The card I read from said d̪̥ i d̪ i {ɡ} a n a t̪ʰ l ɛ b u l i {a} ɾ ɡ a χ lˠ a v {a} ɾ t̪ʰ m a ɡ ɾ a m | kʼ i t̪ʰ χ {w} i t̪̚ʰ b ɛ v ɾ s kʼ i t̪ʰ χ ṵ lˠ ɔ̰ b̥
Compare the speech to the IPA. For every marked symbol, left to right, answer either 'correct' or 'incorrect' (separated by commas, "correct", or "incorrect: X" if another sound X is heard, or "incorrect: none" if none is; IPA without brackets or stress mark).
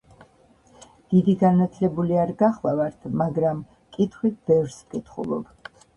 correct, correct, correct, correct